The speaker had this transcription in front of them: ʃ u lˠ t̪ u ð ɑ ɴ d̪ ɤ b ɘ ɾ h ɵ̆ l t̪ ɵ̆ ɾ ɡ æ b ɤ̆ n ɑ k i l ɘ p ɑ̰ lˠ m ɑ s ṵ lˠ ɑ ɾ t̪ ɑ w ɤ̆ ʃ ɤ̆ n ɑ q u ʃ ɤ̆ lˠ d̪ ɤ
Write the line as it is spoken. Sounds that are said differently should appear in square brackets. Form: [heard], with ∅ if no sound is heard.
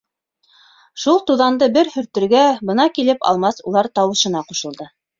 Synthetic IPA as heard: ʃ u lˠ t̪ u ð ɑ [n] d̪ ɤ b ɘ ɾ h ɵ̆ [ɾ] t̪ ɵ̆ ɾ ɡ æ b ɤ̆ n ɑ k i l ɘ p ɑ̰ lˠ m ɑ s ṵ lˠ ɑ ɾ t̪ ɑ w ɤ̆ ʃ ɤ̆ n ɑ q u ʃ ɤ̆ lˠ d̪ ɤ